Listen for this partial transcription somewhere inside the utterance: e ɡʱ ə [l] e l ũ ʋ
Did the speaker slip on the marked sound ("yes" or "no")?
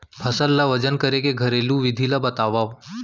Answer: yes